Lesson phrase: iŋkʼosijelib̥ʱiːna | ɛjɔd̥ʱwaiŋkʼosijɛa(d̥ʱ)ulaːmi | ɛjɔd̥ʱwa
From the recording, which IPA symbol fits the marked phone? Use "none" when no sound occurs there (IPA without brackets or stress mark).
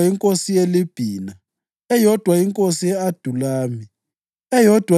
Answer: d̥ʱ